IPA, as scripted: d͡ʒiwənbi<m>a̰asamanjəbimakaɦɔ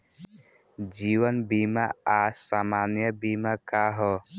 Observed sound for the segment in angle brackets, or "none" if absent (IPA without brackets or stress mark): m